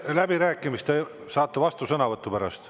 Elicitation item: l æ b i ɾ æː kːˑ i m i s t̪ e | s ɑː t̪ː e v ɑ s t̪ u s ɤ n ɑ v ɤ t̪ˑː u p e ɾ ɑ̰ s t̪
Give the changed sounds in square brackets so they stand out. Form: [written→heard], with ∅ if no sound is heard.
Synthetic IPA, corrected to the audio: l æ b i ɾ æː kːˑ i m i s t̪ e | s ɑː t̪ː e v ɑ s t̪ u s ɤ n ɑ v ɤ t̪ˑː u p [e→æ] ɾ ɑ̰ s t̪